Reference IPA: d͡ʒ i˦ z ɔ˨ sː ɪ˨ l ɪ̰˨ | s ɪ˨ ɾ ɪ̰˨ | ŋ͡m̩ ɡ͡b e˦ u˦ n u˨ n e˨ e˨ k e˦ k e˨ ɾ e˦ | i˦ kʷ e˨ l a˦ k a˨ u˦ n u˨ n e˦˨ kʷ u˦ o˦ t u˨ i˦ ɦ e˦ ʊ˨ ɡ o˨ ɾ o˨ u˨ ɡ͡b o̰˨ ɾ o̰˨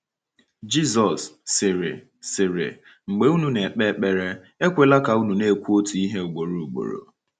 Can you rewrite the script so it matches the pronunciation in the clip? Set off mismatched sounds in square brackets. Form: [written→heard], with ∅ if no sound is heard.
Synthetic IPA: d͡ʒ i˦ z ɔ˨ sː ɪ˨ [l→ɾ] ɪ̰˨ | s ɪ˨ ɾ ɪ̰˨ | ŋ͡m̩ ɡ͡b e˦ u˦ n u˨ n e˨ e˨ [k→k͡p] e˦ [k→k͡p] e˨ ɾ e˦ | [i˦→e˦] kʷ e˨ l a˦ k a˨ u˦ n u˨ n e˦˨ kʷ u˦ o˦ t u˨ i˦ ɦ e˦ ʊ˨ [ɡ→ɡ͡b] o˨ ɾ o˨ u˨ ɡ͡b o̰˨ ɾ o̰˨